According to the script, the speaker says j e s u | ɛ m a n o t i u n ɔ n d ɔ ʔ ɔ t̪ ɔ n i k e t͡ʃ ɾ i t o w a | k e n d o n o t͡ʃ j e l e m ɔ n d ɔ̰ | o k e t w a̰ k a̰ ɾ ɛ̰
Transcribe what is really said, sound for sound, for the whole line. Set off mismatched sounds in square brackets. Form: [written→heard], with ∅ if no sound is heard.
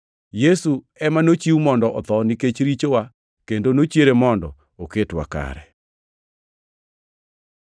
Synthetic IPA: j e s u | ɛ m a n o [t→t͡ʃ] i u [n→m] ɔ n d ɔ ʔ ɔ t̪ ɔ n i k e t͡ʃ ɾ i [t→t͡ʃ] o w a | k e n d o n o t͡ʃ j e [l→ɾ] e m ɔ n d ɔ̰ | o k e t w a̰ k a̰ ɾ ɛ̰